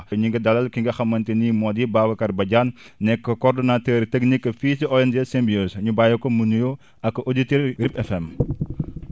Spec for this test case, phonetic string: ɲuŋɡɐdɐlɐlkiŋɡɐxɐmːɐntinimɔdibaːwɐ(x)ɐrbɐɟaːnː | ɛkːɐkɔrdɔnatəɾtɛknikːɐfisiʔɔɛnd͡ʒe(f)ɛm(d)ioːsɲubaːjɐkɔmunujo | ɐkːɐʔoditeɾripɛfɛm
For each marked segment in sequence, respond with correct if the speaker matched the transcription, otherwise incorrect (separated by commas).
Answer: incorrect, incorrect, incorrect